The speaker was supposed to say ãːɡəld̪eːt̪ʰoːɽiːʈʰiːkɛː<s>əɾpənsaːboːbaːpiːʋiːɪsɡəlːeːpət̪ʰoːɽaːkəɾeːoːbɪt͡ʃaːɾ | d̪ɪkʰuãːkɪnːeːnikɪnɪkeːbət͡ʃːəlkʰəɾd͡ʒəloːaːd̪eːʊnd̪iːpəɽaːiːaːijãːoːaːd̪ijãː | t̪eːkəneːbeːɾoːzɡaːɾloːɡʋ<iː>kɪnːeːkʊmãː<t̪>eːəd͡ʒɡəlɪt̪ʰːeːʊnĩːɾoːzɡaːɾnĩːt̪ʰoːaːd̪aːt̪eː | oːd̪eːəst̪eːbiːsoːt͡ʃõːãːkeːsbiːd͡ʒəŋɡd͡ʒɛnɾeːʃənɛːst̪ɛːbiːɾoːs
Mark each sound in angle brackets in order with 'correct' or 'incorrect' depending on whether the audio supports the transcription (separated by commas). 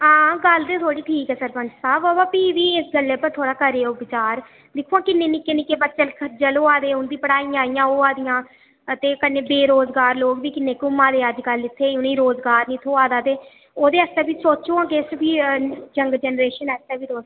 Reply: correct, correct, incorrect